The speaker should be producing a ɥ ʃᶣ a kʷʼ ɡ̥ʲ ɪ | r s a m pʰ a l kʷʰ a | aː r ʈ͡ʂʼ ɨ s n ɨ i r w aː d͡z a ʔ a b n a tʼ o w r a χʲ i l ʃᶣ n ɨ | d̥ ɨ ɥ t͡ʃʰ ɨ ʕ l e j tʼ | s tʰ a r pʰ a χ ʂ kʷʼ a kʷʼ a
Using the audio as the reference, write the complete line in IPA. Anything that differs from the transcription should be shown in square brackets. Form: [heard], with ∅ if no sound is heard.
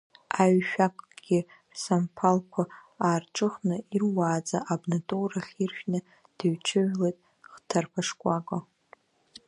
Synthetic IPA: a ɥ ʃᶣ a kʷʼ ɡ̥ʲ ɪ | r s a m pʰ a l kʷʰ a | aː r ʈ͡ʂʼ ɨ [χ] n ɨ i r w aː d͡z a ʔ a b n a tʼ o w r a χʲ i [r] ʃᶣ n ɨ | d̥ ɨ ɥ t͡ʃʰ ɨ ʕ l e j tʼ | [χ] tʰ a r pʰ a [∅] ʂ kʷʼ a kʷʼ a